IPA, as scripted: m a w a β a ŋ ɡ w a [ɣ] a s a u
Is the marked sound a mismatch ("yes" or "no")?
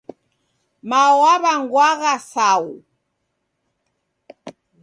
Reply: no